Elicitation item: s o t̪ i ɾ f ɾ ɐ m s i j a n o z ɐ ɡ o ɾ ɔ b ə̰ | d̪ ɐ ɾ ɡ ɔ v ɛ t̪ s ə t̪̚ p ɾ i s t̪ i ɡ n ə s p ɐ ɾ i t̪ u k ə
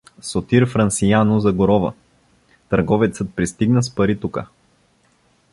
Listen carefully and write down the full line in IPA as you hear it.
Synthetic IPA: s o t̪ i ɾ f ɾ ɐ n s i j a n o z ɐ ɡ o ɾ ɔ v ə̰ | t̪ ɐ ɾ ɡ ɔ v ɛ t̪ s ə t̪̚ p ɾ i s t̪ i ɡ n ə s p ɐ ɾ i t̪ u k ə